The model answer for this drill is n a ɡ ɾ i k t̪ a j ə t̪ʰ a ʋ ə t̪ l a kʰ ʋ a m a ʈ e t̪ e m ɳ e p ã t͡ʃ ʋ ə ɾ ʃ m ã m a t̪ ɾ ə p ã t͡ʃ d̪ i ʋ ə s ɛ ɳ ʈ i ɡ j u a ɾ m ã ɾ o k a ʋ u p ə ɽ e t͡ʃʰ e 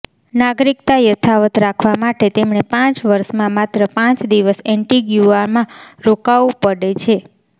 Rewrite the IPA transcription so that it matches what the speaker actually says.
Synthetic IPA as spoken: n a ɡ ɾ i k t̪ a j ə t̪ʰ a ʋ ə t̪ ɾ a kʰ ʋ a m a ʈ e t̪ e m ɳ e p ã t͡ʃ ʋ ə ɾ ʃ m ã m a t̪ ɾ ə p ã t͡ʃ d̪ i ʋ ə s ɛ ɳ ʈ i ɡ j u a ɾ m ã ɾ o k a ʋ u p ə ɽ e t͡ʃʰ e